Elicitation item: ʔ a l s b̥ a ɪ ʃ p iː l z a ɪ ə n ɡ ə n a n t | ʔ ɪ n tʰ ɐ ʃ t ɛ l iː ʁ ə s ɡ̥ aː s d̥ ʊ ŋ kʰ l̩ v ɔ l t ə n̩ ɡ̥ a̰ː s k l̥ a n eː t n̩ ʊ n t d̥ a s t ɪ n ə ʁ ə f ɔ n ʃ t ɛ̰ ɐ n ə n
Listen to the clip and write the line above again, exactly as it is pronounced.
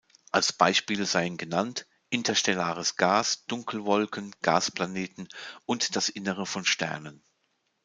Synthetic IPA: ʔ a l s b̥ a ɪ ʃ p iː l z a ɪ ə n ɡ ə n a n t | ʔ ɪ n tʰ ɐ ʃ t ɛ l aː ʁ ə s ɡ̥ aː s d̥ ʊ ŋ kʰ l̩ v ɔ l k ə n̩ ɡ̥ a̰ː s p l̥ a n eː t n̩ ʊ n t d̥ a s ʔ ɪ n ə ʁ ə f ɔ n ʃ t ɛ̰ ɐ n ə n